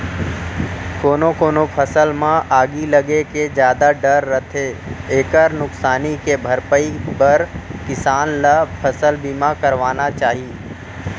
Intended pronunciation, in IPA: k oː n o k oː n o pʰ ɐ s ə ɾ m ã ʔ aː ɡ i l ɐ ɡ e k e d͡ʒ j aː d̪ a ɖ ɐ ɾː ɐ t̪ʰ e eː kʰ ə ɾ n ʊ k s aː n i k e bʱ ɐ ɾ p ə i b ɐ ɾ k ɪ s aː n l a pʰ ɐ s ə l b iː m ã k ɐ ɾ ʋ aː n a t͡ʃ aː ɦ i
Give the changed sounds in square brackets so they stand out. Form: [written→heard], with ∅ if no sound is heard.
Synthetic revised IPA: k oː n o k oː n o pʰ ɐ s ə [ɾ→l] m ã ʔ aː ɡ i l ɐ ɡ e k e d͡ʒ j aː d̪ a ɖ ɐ ɾː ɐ t̪ʰ e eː [kʰ→k] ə ɾ n ʊ k s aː n i k e bʱ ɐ ɾ p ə i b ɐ ɾ k ɪ s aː n l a pʰ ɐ s ə l b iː m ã k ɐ ɾ ʋ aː n a t͡ʃ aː ɦ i